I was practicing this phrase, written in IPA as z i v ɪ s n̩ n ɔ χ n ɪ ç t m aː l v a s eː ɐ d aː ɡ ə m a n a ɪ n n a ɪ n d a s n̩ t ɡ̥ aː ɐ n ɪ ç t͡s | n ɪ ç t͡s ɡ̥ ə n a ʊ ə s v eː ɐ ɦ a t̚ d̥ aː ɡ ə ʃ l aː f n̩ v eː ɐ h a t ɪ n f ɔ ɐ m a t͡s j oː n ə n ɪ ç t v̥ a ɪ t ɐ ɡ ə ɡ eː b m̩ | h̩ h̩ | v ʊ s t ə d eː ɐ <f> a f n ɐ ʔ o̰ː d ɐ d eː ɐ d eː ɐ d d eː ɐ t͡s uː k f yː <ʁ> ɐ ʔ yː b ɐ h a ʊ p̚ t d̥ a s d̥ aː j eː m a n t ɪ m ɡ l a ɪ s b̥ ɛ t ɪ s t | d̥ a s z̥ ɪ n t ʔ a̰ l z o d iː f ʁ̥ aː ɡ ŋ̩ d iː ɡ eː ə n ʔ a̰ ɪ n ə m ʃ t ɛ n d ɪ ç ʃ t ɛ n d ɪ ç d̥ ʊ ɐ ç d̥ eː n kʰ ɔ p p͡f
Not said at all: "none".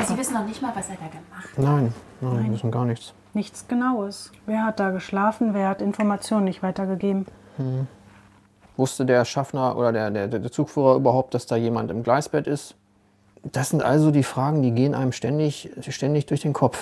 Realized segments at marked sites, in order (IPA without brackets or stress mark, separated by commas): ʃ, ʁ